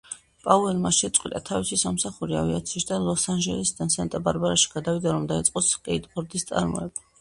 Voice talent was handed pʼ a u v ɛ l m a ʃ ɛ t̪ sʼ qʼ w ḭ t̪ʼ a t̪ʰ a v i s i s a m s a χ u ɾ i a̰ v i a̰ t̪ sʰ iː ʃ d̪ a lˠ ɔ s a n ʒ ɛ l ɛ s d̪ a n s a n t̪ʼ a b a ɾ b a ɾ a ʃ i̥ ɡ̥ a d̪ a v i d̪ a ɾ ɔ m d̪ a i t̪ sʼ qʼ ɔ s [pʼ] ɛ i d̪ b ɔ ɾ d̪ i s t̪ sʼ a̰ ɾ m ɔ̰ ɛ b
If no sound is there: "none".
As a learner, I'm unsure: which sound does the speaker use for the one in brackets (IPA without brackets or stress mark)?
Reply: kʼ